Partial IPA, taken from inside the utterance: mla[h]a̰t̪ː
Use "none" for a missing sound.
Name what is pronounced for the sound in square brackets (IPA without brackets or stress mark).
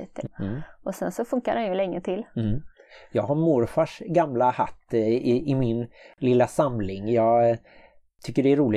h